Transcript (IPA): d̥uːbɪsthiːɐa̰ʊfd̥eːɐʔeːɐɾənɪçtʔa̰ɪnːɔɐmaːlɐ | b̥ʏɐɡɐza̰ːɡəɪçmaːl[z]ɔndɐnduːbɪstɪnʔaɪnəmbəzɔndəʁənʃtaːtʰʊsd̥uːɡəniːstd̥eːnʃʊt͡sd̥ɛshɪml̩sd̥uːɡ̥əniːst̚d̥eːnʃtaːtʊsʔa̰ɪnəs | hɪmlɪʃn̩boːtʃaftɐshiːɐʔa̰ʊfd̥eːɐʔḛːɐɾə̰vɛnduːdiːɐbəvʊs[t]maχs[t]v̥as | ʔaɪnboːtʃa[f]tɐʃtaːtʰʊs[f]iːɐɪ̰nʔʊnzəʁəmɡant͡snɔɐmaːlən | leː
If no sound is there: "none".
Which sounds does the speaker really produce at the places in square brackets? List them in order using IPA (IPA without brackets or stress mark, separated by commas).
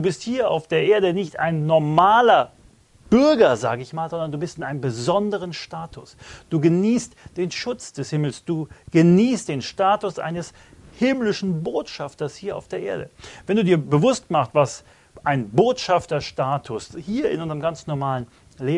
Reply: z, t, t, f, h